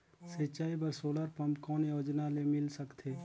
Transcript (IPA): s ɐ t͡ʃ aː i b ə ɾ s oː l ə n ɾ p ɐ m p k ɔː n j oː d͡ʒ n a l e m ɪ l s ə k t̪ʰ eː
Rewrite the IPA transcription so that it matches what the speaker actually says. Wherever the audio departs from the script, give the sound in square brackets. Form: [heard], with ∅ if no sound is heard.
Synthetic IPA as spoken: s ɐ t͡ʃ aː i b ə ɾ s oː l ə [∅] ɾ p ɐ m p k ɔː n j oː d͡ʒ n a l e m ɪ l s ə k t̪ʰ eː